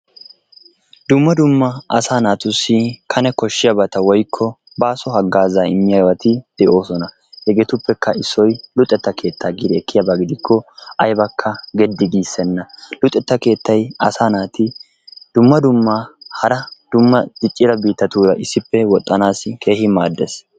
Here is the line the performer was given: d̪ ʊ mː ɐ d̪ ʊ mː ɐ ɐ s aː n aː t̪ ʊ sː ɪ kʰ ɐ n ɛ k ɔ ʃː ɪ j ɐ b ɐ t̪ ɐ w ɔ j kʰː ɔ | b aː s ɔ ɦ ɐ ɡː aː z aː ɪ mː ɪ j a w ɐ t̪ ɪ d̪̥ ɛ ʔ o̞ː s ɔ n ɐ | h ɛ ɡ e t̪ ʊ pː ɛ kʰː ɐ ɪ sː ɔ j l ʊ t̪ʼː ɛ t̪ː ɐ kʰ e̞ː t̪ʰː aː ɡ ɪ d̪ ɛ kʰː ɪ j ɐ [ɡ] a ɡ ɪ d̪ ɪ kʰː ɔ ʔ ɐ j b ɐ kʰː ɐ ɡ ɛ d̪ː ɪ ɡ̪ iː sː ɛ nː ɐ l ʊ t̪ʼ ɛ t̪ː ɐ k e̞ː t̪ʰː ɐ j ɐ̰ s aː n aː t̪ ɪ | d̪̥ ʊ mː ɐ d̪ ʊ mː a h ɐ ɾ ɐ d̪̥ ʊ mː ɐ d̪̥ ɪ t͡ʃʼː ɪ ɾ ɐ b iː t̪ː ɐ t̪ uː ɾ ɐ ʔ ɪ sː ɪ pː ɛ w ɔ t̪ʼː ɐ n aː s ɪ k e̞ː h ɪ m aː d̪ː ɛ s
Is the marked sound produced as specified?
no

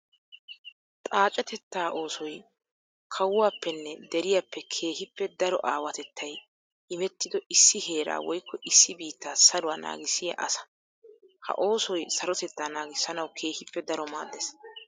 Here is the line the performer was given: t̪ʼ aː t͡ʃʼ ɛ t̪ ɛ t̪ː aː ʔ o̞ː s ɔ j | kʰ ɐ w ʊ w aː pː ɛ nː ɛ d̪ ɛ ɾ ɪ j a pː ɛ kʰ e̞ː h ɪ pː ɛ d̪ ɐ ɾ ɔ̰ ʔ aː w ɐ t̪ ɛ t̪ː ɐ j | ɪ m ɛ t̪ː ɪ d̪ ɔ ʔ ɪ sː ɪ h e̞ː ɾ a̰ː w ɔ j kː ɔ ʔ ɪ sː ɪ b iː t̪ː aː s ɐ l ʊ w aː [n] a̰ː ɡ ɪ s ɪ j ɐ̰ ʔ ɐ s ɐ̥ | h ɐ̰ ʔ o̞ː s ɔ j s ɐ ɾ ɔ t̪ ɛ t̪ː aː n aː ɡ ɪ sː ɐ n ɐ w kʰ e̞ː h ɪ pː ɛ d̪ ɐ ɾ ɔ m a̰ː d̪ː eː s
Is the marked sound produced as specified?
yes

